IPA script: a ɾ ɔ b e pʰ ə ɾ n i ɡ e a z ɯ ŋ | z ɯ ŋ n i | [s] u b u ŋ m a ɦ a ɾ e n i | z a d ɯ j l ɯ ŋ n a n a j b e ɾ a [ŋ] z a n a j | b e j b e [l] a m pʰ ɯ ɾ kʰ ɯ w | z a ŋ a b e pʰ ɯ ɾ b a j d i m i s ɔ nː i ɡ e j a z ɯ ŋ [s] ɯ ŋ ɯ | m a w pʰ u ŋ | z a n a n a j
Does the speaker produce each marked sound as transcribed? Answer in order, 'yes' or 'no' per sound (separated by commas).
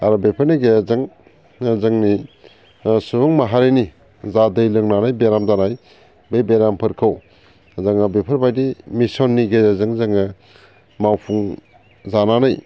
yes, no, no, no